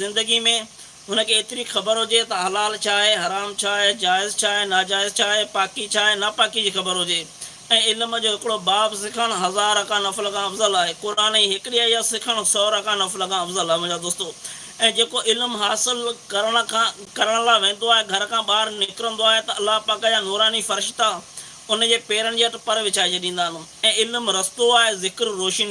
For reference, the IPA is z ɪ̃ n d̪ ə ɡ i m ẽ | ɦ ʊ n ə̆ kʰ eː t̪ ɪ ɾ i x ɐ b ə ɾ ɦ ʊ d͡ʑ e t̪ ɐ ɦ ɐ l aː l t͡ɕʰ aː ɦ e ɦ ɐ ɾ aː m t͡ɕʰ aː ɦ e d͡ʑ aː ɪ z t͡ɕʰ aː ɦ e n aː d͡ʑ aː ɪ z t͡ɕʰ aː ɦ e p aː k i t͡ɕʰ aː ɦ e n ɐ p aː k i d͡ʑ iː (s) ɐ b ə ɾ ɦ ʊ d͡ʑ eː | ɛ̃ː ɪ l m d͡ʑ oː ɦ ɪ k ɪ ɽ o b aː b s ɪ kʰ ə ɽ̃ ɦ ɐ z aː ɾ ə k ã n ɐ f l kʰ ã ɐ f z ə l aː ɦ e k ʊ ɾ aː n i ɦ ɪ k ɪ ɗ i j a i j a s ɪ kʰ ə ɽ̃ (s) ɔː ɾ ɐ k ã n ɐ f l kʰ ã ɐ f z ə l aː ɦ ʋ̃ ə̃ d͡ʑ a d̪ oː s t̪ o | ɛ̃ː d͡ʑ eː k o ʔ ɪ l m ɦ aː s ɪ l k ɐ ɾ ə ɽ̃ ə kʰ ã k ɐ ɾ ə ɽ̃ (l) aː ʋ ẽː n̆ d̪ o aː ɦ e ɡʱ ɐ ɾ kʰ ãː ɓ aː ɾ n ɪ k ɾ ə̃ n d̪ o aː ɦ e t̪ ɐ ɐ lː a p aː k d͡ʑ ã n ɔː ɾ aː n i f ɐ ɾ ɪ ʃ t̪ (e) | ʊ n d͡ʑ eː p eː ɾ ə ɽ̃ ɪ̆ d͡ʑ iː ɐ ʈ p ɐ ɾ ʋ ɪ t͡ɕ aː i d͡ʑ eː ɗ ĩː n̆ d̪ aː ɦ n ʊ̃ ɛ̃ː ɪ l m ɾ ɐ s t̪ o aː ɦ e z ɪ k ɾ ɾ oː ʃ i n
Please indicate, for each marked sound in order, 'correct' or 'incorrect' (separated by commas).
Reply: incorrect, correct, correct, incorrect